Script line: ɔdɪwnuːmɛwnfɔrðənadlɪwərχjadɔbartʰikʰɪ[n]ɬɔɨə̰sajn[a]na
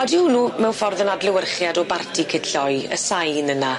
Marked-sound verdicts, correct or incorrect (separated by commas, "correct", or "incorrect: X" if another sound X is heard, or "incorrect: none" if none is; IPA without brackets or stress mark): incorrect: d, incorrect: ə